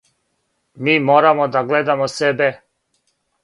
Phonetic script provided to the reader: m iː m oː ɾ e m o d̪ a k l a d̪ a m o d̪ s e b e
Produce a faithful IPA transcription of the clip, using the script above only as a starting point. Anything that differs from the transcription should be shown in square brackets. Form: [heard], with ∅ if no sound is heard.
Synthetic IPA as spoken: m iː m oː ɾ [a] m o d̪ a [ɡ] l [e] d̪ a m o [∅] s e b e